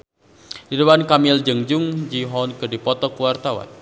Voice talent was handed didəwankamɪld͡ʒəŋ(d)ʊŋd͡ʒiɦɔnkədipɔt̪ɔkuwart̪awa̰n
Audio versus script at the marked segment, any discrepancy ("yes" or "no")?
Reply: yes